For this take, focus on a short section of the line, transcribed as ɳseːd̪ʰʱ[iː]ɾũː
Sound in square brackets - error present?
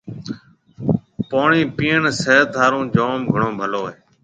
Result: yes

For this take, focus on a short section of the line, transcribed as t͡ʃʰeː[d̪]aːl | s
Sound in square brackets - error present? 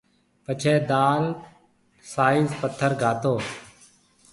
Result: no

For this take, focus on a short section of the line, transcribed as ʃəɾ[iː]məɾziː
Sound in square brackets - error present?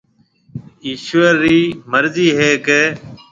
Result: no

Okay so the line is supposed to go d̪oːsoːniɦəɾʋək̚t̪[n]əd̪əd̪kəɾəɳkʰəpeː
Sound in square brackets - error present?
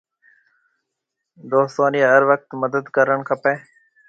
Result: yes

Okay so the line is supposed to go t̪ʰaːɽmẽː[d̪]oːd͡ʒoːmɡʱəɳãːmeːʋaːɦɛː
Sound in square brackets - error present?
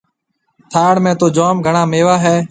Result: yes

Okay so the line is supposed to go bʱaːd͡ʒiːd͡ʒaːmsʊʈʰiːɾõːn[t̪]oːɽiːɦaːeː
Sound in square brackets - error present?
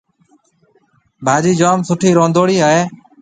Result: yes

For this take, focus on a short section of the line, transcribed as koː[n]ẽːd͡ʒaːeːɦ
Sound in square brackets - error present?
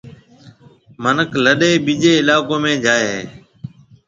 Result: yes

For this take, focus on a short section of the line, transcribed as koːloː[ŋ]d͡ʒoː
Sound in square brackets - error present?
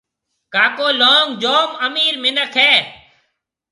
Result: no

